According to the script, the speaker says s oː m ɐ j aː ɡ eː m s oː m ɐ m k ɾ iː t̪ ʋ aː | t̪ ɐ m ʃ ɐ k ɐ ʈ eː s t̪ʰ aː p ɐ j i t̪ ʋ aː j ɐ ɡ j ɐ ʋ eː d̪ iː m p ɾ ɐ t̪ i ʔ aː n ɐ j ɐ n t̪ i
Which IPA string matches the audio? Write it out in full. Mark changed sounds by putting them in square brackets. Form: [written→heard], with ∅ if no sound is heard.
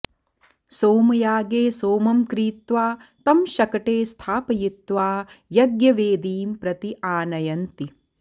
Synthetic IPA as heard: s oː m ɐ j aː ɡ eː [m→∅] s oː m ɐ m k ɾ iː t̪ ʋ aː | t̪ ɐ m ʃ ɐ k ɐ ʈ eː s t̪ʰ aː p ɐ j i t̪ ʋ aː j ɐ ɡ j ɐ ʋ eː d̪ iː m p ɾ ɐ t̪ i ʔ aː n ɐ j ɐ n t̪ i